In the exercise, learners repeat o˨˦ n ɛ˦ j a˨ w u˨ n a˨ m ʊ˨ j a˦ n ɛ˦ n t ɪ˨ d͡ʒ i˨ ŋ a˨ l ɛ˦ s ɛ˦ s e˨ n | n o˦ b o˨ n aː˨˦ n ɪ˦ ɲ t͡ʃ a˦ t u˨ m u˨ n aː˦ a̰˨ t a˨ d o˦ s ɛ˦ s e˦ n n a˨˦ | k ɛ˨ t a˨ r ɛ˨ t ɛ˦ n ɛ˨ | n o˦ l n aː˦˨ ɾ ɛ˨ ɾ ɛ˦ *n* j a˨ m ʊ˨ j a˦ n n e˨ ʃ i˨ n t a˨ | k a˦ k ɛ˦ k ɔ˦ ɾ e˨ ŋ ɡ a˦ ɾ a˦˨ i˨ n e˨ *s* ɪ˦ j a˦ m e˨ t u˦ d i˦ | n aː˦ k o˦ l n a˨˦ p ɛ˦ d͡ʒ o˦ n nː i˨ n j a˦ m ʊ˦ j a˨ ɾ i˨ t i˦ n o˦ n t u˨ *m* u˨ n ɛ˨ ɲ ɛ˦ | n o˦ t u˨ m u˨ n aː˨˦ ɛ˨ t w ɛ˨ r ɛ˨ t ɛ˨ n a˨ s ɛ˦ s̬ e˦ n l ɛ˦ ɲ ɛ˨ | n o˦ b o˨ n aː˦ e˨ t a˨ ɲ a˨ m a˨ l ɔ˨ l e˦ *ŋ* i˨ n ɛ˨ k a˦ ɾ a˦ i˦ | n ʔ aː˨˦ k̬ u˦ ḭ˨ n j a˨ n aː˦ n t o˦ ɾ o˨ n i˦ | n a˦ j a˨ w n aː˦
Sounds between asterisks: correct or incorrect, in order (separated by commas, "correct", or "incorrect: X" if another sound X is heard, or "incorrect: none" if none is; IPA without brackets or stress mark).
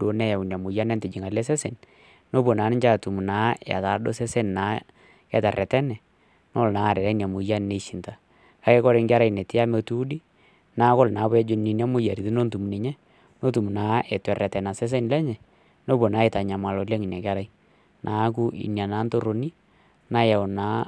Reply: correct, incorrect: t, correct, correct